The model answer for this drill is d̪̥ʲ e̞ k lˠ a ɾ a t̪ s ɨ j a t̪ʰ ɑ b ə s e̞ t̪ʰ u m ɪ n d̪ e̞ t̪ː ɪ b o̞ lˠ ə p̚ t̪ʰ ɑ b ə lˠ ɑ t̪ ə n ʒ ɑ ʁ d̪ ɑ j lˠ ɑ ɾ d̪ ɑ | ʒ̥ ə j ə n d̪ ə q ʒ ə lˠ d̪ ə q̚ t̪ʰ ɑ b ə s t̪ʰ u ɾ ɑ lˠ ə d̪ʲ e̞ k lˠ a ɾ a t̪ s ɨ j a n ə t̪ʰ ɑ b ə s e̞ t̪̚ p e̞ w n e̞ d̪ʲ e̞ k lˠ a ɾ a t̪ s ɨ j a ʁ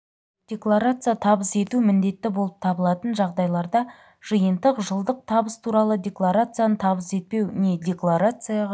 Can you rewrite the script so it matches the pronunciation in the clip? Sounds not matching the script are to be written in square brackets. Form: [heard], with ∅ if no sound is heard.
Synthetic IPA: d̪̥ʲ e̞ k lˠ a ɾ a t̪ s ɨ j a t̪ʰ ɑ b ə s e̞ [t̪] u m ɪ n d̪ e̞ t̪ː ɪ b o̞ lˠ ə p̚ t̪ʰ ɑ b ə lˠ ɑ t̪ ə n ʒ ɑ ʁ d̪ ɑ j lˠ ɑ ɾ d̪ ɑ | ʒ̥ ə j ə n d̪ ə q ʒ ə lˠ d̪ ə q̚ t̪ʰ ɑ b ə s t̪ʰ u ɾ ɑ lˠ ə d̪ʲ e̞ k lˠ a ɾ a t̪ s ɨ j a n ə t̪ʰ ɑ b ə s e̞ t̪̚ p e̞ w n e̞ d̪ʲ e̞ k lˠ a ɾ a t̪ s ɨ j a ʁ